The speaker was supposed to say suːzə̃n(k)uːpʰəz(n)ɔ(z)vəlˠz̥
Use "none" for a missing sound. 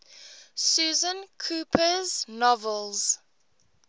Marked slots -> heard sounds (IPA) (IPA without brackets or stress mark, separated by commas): kʰ, n, none